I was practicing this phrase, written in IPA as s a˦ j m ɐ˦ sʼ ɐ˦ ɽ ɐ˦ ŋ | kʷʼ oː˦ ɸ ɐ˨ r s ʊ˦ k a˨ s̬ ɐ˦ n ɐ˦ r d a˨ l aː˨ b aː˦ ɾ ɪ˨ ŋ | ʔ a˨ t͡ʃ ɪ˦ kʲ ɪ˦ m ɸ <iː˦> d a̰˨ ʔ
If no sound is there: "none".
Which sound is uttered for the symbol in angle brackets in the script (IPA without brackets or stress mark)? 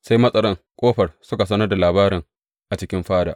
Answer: aː˦